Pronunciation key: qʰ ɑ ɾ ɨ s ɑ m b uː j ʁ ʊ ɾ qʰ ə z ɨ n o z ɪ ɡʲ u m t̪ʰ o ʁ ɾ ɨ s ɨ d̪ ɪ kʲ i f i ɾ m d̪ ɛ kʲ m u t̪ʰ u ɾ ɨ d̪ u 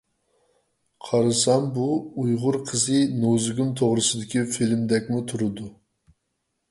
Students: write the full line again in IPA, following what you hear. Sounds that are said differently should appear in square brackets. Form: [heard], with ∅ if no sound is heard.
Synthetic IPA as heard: qʰ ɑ ɾ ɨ s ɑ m b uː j ʁ ʊ ɾ qʰ ə z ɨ n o z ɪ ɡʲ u m t̪ʰ o ʁ ɾ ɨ s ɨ d̪ ɪ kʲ i f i [l] m d̪ ɛ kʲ m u t̪ʰ u ɾ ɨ d̪ u